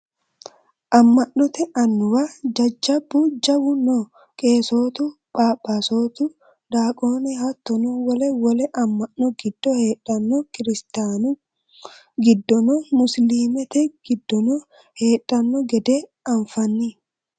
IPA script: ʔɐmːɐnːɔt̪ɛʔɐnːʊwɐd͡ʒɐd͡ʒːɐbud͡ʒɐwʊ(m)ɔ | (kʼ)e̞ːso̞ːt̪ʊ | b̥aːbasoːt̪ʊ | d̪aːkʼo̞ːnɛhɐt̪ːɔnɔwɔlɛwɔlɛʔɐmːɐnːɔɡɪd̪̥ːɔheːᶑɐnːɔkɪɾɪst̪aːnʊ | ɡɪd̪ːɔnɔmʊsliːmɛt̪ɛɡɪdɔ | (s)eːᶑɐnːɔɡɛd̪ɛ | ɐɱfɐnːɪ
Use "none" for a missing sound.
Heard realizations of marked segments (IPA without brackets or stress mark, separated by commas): n, kʼ, h